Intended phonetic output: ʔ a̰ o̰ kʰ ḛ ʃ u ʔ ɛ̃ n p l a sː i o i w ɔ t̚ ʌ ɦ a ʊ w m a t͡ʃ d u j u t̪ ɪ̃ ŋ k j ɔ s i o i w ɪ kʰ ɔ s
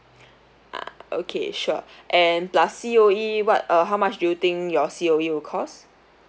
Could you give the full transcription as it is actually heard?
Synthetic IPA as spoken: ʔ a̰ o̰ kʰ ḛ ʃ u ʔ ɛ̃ n p l a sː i o i w ɔ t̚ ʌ ɦ a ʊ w m a t͡ʃ d u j u t̪ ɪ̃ ŋ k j ɔ s i o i w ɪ kʰ ɔ s

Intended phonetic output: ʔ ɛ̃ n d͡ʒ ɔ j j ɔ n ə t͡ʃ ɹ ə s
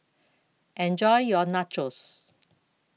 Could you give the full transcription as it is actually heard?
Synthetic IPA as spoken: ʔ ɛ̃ n d͡ʒ ɔ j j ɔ n a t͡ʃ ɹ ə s

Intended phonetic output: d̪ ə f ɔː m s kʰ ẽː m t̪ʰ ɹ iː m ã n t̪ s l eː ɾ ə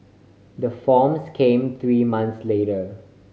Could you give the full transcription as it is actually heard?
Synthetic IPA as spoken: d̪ ə f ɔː m s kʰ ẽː m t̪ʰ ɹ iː m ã n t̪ s l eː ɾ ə

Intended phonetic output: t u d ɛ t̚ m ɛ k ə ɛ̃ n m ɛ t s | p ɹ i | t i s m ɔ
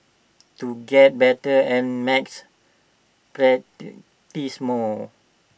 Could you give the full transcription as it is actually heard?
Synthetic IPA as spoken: t u ɡ ɛ t̚ b ɛ t ə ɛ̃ n m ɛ k s | p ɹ ɛ | t i s m ɔ

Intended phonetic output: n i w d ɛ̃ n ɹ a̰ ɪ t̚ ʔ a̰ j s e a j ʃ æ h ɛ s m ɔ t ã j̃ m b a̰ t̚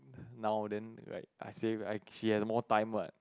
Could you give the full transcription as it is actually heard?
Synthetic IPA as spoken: n a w d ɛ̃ n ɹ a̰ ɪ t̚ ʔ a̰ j s e a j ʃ i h ɛ s m ɔ t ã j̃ m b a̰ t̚

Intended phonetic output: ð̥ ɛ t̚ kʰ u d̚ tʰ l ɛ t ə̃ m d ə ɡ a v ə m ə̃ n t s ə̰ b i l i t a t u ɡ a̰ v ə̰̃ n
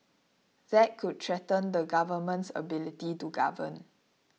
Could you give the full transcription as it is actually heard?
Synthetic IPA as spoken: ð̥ ɛ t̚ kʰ u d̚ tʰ ɹ ɛ t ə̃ n d ə ɡ a v ə m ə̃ n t s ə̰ b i l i t i t u ɡ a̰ v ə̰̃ n

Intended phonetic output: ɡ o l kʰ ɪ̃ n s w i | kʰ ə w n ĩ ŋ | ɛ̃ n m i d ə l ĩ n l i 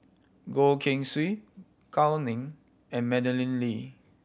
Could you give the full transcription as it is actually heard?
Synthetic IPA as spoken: ɡ o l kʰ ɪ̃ ŋ s w i | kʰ a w n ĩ ŋ | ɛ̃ n m ɛ d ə l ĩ n l i

